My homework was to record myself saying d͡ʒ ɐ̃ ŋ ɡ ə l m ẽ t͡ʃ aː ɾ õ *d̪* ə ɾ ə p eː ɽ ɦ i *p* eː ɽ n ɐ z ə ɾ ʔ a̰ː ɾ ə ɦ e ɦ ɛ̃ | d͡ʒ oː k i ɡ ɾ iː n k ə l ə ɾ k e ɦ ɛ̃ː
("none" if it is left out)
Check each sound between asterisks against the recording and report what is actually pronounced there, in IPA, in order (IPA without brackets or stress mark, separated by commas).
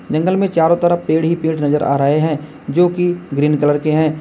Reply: t̪, p